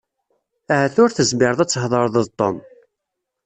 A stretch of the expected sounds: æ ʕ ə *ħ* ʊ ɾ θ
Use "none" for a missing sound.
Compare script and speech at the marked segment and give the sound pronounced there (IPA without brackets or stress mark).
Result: θ